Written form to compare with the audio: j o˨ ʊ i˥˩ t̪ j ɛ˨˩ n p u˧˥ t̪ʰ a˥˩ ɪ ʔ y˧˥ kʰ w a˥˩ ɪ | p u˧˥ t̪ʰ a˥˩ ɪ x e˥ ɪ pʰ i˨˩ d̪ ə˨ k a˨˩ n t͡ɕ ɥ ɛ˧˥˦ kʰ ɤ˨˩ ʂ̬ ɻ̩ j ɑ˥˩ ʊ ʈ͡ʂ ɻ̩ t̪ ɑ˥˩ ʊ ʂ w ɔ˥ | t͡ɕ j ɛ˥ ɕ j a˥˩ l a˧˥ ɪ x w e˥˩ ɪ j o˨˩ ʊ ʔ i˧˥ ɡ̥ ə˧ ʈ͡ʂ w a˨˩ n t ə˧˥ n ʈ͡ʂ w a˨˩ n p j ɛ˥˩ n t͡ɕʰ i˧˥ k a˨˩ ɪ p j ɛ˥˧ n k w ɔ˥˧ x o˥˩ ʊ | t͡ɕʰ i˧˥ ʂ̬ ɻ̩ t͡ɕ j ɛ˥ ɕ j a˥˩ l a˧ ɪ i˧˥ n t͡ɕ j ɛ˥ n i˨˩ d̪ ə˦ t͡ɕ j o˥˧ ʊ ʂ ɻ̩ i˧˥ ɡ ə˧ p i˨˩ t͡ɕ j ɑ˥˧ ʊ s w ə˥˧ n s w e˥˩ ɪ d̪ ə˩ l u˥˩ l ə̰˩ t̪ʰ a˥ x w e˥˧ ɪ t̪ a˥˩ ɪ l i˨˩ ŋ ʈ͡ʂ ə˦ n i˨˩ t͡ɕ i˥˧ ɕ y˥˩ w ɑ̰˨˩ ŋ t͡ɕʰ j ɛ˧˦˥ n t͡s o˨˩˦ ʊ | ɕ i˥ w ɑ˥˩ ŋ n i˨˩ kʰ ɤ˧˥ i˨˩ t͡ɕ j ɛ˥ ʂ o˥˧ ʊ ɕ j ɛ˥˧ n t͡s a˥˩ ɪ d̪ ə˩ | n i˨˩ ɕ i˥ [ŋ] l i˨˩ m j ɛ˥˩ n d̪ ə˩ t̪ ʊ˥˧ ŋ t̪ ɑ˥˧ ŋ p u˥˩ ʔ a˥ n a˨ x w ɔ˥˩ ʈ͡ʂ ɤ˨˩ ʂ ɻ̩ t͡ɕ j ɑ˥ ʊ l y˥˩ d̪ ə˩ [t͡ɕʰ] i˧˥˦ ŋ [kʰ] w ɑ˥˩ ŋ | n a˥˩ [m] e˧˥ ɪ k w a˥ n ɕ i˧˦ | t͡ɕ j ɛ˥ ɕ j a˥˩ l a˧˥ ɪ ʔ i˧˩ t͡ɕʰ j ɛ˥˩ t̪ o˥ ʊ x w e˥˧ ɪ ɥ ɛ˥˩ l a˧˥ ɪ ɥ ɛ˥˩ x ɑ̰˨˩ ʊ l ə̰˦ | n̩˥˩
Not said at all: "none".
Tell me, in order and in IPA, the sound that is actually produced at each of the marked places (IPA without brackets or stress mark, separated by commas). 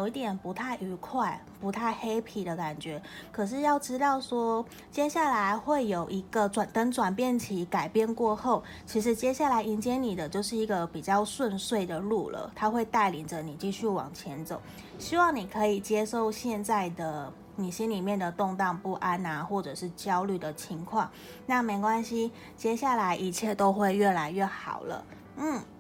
n, t͡ɕʰ, kʰ, m